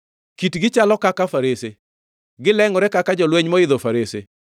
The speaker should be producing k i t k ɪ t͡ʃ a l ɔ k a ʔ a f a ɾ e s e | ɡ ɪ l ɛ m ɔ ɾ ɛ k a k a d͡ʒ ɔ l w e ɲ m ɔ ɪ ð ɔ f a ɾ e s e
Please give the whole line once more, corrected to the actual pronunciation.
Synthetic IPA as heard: k i t ɡ ɪ t͡ʃ a l ɔ k a k a f a ɾ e s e | ɡ ɪ l ɛ ŋ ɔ ɾ ɛ k a k a d͡ʒ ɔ l w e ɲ m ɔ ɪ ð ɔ f a ɾ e s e

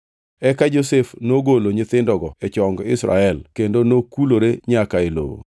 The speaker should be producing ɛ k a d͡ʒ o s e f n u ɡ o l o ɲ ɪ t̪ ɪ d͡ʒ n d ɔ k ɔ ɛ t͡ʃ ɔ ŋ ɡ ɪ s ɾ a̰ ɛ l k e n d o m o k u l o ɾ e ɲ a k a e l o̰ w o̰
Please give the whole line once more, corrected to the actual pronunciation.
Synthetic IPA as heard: ɛ k a d͡ʒ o s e f n o ɡ o l o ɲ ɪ t̪ ɪ n d ɔ ɡ ɔ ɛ t͡ʃ ɔ ŋ ɡ ɪ s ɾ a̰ ɛ l k e n d o n o k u l o ɾ e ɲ a k a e l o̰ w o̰

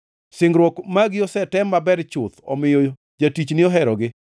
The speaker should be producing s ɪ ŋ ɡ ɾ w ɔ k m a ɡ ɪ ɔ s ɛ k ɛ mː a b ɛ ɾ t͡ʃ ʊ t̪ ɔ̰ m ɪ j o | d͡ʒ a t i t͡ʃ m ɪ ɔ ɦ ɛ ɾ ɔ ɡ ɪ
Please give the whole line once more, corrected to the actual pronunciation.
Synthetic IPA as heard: s ɪ ŋ ɡ ɾ w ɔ k m a ɡ ɪ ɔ s ɛ t ɛ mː a b ɛ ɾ t͡ʃ ʊ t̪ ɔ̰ m ɪ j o | d͡ʒ a t i t͡ʃ n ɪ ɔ ɦ ɛ ɾ ɔ ɡ ɪ

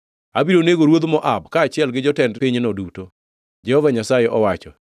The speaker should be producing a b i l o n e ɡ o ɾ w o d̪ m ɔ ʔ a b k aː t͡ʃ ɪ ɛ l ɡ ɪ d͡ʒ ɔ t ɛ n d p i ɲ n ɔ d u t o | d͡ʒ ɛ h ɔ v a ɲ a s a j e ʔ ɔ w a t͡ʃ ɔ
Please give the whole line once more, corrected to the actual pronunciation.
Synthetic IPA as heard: a b i ɾ o n e ɡ o ɾ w o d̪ m ɔ ʔ a b k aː t͡ʃ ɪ ɛ l ɡ ɪ d͡ʒ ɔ t ɛ n d p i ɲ n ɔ d u t o | d͡ʒ ɛ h ɔ v a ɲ a s a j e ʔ ɔ w a t͡ʃ ɔ

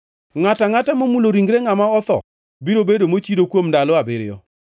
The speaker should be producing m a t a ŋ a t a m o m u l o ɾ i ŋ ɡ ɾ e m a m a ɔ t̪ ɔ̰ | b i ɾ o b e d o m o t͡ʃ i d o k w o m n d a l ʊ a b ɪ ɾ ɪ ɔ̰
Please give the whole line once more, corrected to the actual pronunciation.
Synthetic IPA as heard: ŋ a t a ŋ a t a m o m u l o ɾ i ŋ ɡ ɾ e ŋ a m a ɔ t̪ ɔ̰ | b i ɾ o b e d o m o t͡ʃ i d o k w o m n d a l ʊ a b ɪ ɾ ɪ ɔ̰

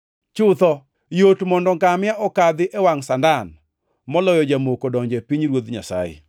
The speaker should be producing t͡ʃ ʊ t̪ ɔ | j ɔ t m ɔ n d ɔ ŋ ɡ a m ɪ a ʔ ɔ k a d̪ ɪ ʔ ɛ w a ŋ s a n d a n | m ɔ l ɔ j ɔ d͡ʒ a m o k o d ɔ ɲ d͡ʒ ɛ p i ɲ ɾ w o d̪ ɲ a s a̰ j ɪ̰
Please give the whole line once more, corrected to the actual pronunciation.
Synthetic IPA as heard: t͡ʃ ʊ t̪ ɔ | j o t m ɔ n d ɔ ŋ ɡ a m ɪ a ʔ ɔ k a d̪ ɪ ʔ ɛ w a ŋ s a n d a n | m ɔ l ɔ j ɔ d͡ʒ a m o k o d ɔ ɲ d͡ʒ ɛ p i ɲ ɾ w o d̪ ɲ a s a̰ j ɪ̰

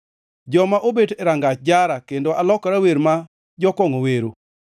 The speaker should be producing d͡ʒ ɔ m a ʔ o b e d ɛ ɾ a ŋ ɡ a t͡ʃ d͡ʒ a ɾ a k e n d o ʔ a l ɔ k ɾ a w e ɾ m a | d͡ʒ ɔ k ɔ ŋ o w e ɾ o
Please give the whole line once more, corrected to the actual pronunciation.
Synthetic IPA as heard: d͡ʒ ɔ m a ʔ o b e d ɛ ɾ a ŋ ɡ a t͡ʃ d͡ʒ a ɾ a k e n d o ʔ a l ɔ k ɾ a w e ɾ m a | d͡ʒ ɔ k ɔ ŋ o w e ɾ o

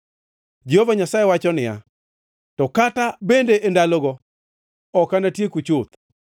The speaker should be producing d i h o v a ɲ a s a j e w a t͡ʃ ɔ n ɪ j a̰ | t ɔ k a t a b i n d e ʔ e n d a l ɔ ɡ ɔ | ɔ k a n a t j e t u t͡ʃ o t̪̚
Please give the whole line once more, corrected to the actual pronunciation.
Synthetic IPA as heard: d͡ʒ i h o v a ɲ a s a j e w a t͡ʃ ɔ n ɪ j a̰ | t ɔ k a t a b e n d e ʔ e n d a l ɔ ɡ ɔ | ɔ k a n a t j e k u t͡ʃ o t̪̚

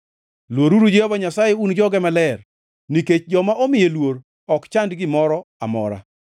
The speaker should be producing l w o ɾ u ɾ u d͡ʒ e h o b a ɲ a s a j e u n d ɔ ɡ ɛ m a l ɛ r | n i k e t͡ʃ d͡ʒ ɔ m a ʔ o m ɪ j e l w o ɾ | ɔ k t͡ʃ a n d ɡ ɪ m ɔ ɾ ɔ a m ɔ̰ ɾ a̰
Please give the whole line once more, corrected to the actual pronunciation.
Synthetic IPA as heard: l w o ɾ u ɾ u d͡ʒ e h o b a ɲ a s a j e u n d͡ʒ ɔ ɡ ɛ m a l ɛ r | n i k e t͡ʃ d͡ʒ ɔ m a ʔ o m ɪ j e l w o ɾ | ɔ k t͡ʃ a n d ɡ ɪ m ɔ ɾ ɔ a m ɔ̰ ɾ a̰

